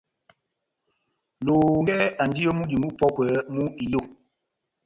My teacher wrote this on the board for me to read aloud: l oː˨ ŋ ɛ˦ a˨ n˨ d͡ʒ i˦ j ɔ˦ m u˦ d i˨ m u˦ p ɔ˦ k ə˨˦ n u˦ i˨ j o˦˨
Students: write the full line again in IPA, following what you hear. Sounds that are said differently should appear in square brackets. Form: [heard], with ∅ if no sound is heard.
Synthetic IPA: l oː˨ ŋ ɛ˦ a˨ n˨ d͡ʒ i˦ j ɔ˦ m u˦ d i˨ m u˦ p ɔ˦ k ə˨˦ [m] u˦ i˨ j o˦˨

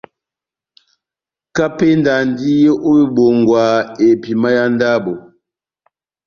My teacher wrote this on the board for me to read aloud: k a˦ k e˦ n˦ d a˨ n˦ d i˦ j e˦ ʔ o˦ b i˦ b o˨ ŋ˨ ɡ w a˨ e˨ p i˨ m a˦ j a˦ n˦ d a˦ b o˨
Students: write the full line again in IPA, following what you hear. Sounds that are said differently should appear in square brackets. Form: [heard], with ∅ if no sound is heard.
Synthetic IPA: k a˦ [p] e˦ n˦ d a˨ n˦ d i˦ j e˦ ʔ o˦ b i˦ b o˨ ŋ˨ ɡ w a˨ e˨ p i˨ m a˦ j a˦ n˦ d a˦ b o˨

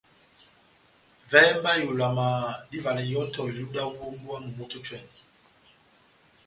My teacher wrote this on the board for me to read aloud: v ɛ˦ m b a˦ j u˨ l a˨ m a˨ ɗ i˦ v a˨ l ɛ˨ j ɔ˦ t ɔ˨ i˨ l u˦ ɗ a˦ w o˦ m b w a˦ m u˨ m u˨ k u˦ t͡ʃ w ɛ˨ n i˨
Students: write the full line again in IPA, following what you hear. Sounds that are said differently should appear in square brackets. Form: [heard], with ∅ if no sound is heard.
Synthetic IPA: v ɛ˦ m b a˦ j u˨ l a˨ m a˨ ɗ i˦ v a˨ l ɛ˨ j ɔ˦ t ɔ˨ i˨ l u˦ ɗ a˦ w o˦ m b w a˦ m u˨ m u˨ [t] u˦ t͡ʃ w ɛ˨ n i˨

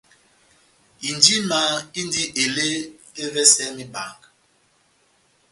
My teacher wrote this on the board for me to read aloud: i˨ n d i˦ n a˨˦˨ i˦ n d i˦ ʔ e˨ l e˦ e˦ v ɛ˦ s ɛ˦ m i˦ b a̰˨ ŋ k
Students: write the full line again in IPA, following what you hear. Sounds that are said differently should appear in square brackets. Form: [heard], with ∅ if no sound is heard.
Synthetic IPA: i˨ n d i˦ [m] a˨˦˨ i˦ n d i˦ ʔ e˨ l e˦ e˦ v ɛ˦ s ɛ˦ m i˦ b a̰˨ ŋ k

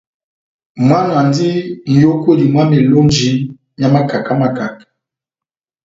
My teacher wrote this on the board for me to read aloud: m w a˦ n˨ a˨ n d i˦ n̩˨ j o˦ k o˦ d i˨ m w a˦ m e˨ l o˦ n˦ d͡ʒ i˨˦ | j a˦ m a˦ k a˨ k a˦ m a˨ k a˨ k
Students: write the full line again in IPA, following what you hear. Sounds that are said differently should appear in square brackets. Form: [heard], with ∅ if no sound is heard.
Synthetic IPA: m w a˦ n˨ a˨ n d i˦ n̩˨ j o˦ k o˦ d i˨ m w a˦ m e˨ l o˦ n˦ d͡ʒ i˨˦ | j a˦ m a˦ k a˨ k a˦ m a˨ k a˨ k

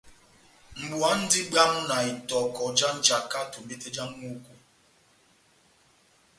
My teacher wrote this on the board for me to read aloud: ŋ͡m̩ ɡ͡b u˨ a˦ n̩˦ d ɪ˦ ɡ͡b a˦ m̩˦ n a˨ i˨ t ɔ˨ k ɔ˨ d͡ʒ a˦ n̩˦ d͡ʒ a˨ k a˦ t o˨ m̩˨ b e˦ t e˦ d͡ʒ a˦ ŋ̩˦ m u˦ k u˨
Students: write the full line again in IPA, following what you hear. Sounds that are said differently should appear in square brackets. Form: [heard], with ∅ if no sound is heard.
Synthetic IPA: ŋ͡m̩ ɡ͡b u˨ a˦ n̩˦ d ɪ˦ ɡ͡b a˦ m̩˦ n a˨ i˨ t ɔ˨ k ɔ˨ d͡ʒ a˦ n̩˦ d͡ʒ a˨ k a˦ t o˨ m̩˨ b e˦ t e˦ d͡ʒ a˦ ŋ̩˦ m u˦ k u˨

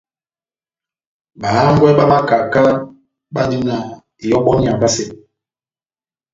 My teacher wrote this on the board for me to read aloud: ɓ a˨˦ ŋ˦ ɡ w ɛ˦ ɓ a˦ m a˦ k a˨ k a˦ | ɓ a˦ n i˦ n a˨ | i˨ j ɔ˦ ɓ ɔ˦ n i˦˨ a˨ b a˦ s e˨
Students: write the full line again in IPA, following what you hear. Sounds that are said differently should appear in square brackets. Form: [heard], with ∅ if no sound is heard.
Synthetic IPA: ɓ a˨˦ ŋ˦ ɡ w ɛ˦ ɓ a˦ m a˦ k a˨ k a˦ | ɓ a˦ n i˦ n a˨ | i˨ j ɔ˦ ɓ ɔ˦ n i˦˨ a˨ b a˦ s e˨

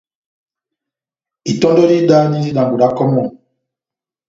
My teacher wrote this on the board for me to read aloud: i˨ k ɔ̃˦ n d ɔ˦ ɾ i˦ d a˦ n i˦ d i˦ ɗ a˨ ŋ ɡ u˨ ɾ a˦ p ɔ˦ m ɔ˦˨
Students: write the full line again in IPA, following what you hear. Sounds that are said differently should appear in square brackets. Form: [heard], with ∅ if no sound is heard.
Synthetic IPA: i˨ [t] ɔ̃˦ n d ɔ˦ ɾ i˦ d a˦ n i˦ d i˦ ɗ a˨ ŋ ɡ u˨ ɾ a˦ [k] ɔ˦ m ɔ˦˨

